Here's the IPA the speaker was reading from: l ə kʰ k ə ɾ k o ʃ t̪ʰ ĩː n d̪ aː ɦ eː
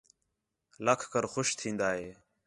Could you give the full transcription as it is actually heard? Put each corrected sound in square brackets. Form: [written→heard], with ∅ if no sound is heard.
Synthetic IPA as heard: l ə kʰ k ə ɾ [k→x] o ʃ t̪ʰ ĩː n d̪ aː ɦ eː

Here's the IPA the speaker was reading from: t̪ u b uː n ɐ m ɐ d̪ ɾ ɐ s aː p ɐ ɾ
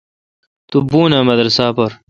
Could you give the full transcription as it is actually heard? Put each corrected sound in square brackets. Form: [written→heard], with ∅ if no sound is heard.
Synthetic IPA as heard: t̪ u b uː n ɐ m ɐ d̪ ɾ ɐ s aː p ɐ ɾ

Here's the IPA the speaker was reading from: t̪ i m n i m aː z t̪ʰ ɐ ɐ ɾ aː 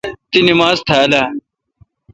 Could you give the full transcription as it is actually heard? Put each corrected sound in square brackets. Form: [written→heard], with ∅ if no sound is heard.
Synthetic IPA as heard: t̪ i [m→∅] n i m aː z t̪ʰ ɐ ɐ [ɾ→l] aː

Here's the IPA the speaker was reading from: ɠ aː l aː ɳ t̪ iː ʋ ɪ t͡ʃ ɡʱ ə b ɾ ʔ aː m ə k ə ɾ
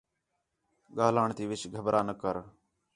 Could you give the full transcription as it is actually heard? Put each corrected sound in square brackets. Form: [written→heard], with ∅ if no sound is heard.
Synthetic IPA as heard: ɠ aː l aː ɳ t̪ iː ʋ ɪ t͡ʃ ɡʱ ə b ɾ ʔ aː [m→n] ə k ə ɾ

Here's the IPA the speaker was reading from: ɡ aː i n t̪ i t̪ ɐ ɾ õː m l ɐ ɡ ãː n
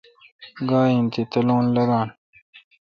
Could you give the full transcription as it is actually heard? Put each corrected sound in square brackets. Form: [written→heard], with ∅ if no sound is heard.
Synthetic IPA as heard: ɡ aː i n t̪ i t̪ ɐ [ɾ→l] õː [m→n] l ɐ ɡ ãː n

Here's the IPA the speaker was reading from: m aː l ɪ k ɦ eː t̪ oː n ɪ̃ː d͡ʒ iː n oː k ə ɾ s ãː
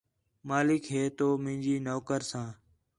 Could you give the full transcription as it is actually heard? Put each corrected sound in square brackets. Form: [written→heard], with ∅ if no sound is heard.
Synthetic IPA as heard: m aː l ɪ k ɦ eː t̪ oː [n→m] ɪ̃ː d͡ʒ iː n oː k ə ɾ s ãː

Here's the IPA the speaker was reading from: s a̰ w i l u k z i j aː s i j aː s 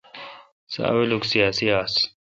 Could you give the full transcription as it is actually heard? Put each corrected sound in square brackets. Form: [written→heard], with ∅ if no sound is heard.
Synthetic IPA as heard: s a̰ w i l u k [z→s] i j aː s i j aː s

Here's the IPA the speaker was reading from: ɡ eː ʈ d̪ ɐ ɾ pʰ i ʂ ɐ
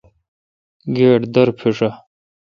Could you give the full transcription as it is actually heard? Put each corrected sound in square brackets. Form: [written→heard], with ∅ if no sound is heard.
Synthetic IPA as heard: ɡ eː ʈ d̪ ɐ ɾ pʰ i ʂ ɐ

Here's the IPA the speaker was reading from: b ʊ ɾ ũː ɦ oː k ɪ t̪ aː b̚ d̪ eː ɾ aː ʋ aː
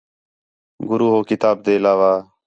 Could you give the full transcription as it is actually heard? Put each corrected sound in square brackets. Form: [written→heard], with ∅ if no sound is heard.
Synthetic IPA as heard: [b→ɡ] ʊ ɾ [ũː→uː] ɦ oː k ɪ t̪ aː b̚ d̪ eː [ɾ→l] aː ʋ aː

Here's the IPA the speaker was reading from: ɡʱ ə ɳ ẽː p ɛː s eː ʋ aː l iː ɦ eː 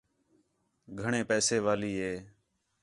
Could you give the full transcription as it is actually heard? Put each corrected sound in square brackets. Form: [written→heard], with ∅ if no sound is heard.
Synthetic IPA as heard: ɡʱ ə ɳ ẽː p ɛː s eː ʋ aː l iː ɦ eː

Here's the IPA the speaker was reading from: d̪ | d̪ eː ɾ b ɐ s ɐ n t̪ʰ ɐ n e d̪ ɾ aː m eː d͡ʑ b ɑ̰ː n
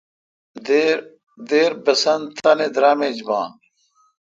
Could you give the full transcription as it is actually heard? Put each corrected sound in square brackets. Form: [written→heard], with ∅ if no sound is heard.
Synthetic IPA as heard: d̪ | d̪ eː ɾ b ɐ s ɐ n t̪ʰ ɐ n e d̪ ɾ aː m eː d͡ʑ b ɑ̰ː n

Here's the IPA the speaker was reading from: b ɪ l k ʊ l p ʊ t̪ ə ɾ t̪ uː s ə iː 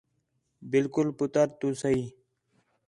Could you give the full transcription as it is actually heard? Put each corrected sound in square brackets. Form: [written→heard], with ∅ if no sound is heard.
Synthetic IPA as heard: b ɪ l k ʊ l p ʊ t̪ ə ɾ t̪ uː s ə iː

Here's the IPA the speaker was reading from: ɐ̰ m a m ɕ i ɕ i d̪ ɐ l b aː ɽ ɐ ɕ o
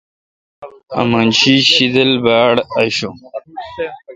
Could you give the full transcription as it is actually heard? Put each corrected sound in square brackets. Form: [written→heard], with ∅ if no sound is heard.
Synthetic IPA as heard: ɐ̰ m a [m→n] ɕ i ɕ i d̪ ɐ l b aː ɽ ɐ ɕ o

